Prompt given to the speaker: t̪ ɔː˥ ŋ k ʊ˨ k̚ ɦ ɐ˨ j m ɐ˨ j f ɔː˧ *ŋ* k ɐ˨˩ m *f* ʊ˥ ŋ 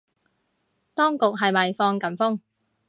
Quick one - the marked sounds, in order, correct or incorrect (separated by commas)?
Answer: correct, correct